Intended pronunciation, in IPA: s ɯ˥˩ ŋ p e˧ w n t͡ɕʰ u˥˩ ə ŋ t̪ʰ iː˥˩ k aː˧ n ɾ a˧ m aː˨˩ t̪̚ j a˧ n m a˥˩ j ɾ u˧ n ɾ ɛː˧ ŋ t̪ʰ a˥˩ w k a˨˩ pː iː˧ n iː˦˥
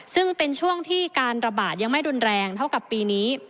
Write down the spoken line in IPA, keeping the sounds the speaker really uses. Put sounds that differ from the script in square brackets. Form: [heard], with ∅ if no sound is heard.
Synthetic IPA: s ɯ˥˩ ŋ p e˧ [∅] n t͡ɕʰ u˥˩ ə ŋ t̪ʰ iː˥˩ k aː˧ n ɾ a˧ [b] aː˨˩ t̪̚ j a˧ [ŋ] m a˥˩ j ɾ u˧ n ɾ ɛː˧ ŋ t̪ʰ a˥˩ w k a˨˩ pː iː˧ n iː˦˥